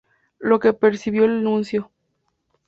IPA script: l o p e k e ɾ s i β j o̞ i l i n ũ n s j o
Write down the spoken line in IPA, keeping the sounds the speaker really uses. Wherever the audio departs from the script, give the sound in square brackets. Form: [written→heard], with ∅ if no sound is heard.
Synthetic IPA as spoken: l o [p→k] e [k→p] e ɾ s i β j o̞ [i→e] l [i→a] n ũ n s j o